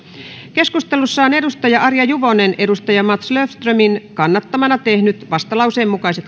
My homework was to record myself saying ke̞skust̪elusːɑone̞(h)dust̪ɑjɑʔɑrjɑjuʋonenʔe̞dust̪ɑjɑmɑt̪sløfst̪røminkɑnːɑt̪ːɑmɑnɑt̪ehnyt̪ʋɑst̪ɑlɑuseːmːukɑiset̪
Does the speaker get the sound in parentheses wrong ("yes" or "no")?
yes